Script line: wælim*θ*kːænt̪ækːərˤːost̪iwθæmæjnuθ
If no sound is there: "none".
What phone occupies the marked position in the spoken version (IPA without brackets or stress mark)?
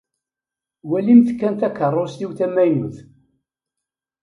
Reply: θ